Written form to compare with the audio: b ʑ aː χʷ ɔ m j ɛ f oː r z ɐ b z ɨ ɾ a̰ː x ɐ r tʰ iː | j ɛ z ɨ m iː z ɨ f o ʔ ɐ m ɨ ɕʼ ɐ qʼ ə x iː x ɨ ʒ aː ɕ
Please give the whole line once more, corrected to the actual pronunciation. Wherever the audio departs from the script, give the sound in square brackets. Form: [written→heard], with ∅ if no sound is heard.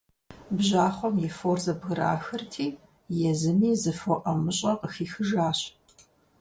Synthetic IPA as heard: b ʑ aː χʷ ɔ m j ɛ f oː r z ɐ b [z→ɣ] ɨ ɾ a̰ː x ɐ r tʰ iː | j ɛ z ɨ m iː z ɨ f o ʔ ɐ m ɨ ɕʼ ɐ [qʼ→q] ə x iː x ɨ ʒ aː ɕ